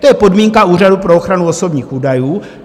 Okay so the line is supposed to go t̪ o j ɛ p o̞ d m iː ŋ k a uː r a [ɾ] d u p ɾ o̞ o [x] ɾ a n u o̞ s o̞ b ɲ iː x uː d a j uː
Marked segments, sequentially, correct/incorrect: incorrect, correct

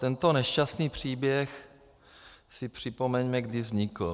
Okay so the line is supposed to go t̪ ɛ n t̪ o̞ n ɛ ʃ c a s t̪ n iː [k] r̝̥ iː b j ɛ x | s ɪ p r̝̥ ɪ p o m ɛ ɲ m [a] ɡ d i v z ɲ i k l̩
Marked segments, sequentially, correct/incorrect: incorrect, incorrect

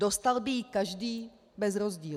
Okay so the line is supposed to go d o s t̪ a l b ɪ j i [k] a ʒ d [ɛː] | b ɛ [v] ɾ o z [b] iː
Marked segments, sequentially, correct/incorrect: correct, incorrect, incorrect, incorrect

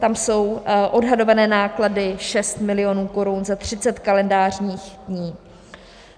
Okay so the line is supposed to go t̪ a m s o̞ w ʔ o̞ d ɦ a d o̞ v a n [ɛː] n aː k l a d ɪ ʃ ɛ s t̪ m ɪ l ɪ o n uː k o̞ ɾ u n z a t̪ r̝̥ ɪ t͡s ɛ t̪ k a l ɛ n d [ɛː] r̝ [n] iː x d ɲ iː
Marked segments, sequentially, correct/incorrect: correct, incorrect, incorrect

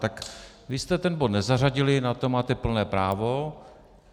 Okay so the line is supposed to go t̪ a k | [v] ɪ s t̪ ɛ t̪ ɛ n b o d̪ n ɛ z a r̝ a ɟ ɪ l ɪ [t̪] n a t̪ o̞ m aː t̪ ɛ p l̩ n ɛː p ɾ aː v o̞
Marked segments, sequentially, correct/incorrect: correct, incorrect

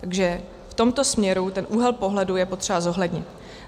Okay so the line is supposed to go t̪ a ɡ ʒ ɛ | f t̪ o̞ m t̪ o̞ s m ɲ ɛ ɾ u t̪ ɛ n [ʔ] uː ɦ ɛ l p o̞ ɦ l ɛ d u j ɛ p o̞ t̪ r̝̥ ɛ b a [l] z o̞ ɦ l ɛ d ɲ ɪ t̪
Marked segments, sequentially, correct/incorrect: correct, incorrect

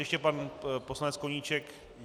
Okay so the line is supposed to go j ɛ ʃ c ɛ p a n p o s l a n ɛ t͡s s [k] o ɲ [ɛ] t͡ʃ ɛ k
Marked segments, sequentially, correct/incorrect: correct, incorrect

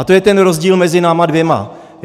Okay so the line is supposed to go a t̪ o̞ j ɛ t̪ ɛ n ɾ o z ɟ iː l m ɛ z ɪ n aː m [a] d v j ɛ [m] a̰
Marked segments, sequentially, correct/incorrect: correct, correct

